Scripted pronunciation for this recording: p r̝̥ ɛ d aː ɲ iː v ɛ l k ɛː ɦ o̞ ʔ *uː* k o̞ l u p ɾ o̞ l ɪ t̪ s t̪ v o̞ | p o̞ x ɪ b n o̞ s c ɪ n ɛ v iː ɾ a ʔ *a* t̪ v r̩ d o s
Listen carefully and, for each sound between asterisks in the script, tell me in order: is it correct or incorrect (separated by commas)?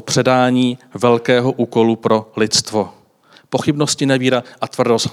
correct, correct